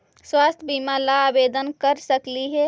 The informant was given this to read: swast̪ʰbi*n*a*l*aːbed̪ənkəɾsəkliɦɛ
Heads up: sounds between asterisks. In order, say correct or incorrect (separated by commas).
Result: incorrect, correct